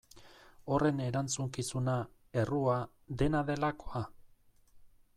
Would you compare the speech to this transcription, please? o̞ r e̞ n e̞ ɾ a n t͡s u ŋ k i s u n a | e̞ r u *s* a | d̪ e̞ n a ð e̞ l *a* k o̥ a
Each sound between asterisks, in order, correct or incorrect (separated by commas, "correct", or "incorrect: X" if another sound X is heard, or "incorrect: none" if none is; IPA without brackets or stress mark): incorrect: none, correct